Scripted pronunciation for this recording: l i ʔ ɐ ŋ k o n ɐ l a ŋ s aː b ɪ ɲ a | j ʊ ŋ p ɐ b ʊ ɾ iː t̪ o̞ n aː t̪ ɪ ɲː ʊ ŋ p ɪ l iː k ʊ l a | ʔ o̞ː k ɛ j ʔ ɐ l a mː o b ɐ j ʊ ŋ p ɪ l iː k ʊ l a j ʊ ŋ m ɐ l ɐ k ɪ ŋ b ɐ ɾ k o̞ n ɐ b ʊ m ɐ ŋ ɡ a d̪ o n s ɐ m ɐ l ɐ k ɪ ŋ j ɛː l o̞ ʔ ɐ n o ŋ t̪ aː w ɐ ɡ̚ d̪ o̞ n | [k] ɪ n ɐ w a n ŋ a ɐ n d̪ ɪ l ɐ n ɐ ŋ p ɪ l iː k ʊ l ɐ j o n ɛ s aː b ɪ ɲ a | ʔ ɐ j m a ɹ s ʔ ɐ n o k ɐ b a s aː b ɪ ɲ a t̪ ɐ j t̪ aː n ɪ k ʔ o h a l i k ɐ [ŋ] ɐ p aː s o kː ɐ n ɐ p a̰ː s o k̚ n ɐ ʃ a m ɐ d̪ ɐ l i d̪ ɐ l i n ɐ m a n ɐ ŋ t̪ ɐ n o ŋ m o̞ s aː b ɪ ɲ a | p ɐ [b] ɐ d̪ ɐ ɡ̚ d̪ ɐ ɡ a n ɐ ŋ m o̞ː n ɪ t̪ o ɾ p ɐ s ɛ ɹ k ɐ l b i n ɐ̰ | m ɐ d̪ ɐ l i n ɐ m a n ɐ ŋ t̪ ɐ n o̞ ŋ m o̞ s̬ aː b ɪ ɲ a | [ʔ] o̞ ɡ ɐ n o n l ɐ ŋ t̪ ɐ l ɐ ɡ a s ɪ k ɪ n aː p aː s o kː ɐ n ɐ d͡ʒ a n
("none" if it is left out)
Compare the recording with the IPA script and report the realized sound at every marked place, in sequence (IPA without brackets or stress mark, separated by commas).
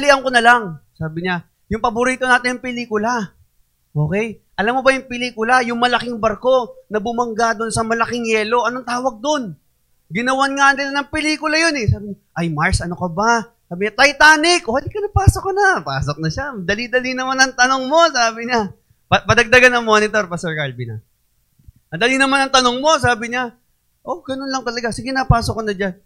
ɡ, n, p, ʔ